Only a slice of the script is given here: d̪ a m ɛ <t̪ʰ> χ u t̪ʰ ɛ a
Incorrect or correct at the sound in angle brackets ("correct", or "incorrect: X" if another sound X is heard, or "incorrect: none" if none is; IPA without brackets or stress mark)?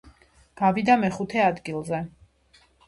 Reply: incorrect: none